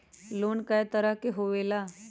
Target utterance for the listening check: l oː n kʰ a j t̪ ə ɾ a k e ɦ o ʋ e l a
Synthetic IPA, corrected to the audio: l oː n k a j t̪ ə ɾ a k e ɦ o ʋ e l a